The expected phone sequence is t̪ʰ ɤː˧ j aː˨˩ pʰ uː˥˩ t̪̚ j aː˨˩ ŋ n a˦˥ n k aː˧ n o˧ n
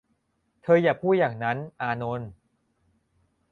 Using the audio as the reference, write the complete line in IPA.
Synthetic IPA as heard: t̪ʰ ɤː˧ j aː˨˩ pʰ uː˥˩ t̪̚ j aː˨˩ ŋ n a˦˥ n ʔ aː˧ n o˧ n